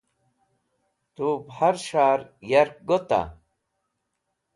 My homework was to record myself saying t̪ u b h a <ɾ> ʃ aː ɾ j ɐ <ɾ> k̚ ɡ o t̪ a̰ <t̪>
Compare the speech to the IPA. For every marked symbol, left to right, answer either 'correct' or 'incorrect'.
correct, correct, incorrect: none

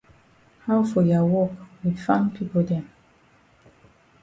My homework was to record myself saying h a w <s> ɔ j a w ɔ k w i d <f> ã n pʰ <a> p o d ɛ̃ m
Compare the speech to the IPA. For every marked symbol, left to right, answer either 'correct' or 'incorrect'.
incorrect: f, correct, incorrect: i

